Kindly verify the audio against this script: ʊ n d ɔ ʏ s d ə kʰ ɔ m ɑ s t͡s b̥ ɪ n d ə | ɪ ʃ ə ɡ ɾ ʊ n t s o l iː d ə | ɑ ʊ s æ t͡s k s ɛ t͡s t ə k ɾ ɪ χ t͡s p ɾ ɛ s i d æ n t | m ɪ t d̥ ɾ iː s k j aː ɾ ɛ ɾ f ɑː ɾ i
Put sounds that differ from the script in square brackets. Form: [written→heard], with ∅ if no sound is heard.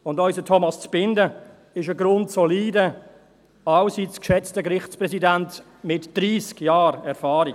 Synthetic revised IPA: ʊ n d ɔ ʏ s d ə [kʰ→tʰ] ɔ m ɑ s t͡s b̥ ɪ n d ə | ɪ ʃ ə ɡ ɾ ʊ n t s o l iː d ə | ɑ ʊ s [æ→i] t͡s k [s→ʃ] ɛ t͡s t ə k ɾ ɪ χ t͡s p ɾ ɛ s i d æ n t | m ɪ t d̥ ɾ iː s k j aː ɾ ɛ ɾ f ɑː ɾ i